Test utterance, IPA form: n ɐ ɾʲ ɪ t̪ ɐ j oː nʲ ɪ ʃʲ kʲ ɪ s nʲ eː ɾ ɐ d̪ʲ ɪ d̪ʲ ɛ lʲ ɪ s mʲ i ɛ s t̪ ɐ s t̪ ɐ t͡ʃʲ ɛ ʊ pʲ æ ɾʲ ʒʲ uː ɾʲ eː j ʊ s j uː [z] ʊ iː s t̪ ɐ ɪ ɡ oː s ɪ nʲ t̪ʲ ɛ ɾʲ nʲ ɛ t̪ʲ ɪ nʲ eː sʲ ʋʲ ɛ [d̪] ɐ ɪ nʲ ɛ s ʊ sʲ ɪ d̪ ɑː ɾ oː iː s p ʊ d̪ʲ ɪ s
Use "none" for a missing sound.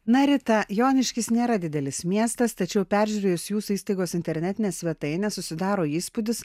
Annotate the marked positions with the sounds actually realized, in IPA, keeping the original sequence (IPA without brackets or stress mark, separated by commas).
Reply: s, t̪